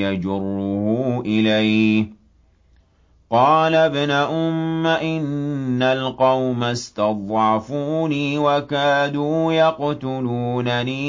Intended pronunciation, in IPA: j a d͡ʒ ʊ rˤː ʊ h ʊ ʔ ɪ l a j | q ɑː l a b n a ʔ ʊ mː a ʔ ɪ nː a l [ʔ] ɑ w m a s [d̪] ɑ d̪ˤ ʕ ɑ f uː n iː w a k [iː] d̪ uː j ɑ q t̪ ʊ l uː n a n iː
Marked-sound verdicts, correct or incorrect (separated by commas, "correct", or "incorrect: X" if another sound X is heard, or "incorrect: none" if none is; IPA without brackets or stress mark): incorrect: q, incorrect: t̪, incorrect: aː